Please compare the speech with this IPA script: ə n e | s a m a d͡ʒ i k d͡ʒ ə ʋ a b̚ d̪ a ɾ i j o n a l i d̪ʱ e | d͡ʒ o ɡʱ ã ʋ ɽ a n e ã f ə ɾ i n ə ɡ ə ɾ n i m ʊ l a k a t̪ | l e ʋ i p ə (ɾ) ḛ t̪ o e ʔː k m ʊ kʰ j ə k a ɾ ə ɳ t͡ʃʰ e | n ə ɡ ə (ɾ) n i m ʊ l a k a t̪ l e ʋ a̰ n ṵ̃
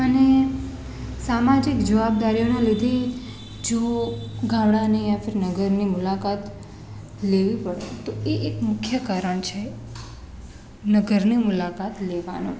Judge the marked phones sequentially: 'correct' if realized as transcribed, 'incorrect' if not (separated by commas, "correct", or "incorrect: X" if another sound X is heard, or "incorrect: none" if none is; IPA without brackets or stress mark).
incorrect: ɽ, correct